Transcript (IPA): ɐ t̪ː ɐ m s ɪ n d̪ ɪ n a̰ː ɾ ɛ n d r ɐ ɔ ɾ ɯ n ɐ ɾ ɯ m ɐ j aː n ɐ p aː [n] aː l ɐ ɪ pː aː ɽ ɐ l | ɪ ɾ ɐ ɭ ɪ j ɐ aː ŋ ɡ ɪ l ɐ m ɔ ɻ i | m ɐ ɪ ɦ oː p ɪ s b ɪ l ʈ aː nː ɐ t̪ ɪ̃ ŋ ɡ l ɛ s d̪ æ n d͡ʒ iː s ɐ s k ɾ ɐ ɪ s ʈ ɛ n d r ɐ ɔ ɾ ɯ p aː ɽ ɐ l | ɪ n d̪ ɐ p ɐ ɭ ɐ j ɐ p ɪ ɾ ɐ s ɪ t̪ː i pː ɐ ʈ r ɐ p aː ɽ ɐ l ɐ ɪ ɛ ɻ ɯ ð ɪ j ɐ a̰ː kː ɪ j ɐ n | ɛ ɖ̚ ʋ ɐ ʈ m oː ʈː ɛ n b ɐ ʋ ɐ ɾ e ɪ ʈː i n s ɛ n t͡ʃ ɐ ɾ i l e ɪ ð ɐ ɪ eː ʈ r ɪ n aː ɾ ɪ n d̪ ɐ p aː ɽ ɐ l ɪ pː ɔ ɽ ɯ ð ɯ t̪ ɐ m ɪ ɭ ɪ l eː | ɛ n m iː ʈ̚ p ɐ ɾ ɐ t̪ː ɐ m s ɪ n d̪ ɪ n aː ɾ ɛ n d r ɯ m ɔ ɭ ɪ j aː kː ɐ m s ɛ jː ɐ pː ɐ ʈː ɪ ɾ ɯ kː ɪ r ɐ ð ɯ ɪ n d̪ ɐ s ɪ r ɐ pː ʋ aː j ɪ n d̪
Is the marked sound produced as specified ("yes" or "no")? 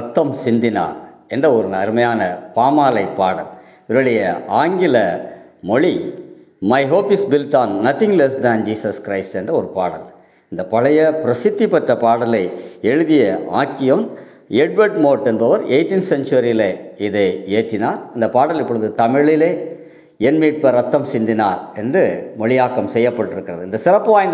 no